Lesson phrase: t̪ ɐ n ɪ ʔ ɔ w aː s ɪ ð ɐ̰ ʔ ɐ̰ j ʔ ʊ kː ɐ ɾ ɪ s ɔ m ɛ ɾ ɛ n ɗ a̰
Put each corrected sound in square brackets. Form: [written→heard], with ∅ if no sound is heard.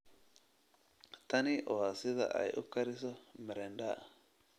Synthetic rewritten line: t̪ ɐ n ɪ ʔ ɔ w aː s ɪ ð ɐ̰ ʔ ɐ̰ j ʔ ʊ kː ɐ ɾ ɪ s ɔ m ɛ ɾ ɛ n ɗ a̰